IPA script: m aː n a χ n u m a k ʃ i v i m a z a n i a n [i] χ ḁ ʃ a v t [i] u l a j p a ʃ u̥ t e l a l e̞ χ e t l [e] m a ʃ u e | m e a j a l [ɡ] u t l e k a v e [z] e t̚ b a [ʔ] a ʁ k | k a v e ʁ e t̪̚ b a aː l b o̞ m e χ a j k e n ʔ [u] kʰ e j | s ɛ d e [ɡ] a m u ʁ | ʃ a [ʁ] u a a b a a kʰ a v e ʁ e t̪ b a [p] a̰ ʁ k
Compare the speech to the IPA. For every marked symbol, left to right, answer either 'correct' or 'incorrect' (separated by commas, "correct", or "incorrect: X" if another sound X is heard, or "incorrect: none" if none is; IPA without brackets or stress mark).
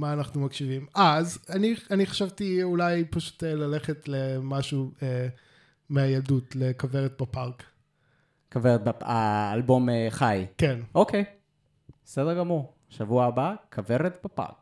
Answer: correct, correct, correct, incorrect: d, incorrect: ʁ, incorrect: p, incorrect: o, correct, incorrect: v, correct